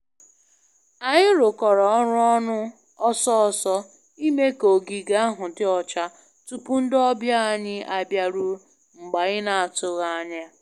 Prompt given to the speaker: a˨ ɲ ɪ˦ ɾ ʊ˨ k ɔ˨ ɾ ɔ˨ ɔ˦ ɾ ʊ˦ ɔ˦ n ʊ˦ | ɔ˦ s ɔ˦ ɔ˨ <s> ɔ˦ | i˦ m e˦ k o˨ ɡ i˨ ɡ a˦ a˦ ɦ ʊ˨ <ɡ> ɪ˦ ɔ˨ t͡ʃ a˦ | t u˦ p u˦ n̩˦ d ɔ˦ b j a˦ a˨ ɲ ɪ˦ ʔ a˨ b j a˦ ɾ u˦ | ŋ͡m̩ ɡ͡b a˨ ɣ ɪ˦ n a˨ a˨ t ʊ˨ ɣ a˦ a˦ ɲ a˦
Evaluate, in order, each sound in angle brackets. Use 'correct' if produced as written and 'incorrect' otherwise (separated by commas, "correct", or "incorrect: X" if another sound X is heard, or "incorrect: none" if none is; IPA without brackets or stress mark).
correct, incorrect: d